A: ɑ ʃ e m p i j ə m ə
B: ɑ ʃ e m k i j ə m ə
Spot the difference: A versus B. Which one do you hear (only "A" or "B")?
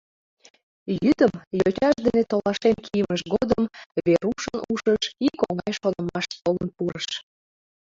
B